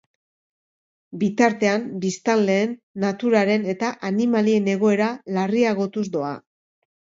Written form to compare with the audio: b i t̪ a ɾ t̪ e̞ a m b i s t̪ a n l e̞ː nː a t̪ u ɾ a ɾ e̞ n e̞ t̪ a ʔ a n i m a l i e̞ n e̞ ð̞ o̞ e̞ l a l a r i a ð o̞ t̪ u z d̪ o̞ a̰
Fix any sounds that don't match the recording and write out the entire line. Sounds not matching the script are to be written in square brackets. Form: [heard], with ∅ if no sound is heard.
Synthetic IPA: b i t̪ a ɾ t̪ e̞ a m b i s t̪ a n l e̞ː nː a t̪ u ɾ a ɾ e̞ n e̞ t̪ a ʔ a n i m a l i e̞ n e̞ [ɣ̞] o̞ e̞ [ɾ] a l a r i a [ɣ] o̞ t̪ u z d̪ o̞ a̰